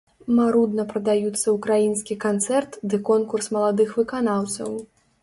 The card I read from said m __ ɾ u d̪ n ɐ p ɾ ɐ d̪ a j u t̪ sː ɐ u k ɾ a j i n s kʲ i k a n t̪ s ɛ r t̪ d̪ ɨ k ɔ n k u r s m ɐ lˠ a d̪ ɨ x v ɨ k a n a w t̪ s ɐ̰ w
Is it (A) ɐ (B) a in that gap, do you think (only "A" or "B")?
B